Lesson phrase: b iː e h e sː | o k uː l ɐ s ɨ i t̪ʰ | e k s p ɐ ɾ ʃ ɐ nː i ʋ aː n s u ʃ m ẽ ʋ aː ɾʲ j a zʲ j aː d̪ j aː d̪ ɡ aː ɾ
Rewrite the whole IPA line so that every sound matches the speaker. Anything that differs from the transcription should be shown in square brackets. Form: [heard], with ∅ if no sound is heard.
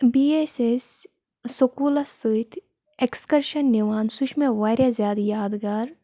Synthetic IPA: b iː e [s] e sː | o k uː l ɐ s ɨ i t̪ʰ | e k s [k] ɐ ɾ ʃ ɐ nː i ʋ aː n s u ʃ m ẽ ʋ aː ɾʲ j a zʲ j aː d̪ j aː d̪ ɡ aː ɾ